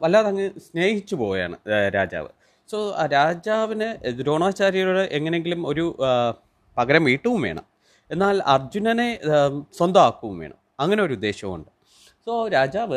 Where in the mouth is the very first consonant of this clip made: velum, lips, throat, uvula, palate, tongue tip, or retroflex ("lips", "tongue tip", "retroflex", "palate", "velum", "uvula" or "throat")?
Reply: lips